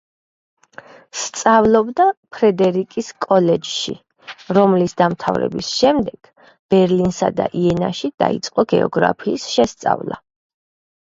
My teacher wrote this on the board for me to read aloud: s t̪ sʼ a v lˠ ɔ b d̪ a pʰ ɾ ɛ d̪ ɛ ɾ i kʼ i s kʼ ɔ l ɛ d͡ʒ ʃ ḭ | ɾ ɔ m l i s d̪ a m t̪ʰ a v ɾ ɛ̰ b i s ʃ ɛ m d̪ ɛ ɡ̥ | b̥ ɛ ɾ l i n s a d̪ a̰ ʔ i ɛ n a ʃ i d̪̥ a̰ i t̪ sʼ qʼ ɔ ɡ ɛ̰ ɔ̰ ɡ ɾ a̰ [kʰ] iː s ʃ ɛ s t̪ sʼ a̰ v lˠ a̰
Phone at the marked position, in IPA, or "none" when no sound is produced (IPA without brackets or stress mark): pʰ